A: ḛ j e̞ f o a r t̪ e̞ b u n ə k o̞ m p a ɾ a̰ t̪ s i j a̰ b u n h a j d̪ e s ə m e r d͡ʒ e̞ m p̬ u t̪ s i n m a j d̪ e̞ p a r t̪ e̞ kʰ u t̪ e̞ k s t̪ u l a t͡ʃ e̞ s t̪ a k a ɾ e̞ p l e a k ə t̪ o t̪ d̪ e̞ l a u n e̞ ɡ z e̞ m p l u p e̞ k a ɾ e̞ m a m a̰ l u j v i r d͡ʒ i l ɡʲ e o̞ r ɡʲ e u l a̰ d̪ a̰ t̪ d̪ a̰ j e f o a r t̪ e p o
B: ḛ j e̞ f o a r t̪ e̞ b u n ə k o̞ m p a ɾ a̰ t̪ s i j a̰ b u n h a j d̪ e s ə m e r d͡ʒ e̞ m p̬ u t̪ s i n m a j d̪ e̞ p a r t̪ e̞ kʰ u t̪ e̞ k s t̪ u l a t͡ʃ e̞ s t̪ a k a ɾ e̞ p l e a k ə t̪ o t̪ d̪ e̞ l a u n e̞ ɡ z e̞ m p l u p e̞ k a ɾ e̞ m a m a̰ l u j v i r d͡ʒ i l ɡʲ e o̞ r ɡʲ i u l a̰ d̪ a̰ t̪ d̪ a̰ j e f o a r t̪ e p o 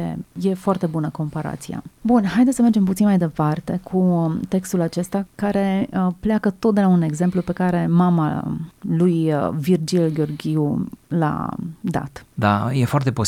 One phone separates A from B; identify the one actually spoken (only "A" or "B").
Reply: B